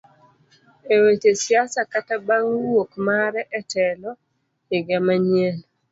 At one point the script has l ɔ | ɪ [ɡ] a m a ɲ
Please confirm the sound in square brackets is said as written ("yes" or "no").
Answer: yes